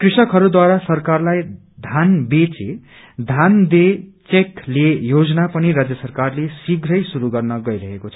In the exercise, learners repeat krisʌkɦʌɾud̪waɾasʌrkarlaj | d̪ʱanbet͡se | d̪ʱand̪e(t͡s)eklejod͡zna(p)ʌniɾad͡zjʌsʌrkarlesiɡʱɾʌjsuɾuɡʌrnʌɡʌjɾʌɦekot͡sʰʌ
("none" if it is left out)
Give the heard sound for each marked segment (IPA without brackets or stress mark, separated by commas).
t͡s, p